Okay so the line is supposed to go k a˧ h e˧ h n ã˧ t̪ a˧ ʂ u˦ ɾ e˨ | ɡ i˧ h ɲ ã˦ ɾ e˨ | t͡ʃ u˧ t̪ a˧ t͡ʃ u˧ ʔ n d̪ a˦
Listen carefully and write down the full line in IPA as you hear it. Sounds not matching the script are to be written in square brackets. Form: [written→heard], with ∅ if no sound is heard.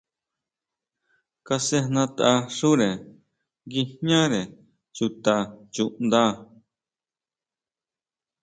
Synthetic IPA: k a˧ [h→s] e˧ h n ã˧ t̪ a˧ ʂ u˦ ɾ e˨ | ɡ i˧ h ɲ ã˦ ɾ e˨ | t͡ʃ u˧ t̪ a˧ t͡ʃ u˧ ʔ n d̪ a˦